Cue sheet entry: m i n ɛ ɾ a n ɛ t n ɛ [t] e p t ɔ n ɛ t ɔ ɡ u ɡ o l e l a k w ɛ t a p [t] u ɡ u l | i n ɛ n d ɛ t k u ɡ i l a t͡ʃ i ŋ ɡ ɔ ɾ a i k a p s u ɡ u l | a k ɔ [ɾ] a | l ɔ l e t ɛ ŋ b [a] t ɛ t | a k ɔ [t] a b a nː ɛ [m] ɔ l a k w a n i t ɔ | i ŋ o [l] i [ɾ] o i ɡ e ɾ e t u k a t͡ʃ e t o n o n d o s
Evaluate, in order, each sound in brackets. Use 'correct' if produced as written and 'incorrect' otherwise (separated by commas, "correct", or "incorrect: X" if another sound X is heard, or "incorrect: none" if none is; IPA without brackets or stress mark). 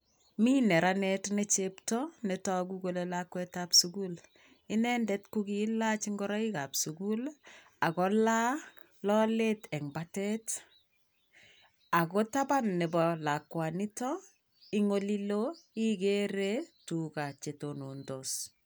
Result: incorrect: t͡ʃ, incorrect: s, incorrect: l, correct, correct, incorrect: b, correct, incorrect: l